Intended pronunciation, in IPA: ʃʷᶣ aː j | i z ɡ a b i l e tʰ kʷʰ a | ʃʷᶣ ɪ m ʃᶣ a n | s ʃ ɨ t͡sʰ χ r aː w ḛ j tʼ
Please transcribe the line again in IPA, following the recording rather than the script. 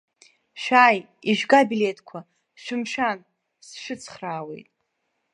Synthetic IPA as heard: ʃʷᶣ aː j | i ʒ ɡ a b i l e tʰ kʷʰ a | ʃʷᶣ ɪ m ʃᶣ a n | s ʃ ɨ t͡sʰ χ r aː w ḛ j tʼ